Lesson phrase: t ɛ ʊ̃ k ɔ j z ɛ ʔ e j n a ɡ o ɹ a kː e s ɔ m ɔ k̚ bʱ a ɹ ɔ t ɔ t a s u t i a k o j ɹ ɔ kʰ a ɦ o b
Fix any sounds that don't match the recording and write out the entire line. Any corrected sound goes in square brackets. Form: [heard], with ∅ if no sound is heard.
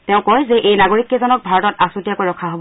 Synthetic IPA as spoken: t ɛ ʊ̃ k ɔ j z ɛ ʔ e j n a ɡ o ɹ [i] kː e [z] ɔ [n] ɔ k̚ bʱ a ɹ ɔ t ɔ t a s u t i a k o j ɹ ɔ kʰ a ɦ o b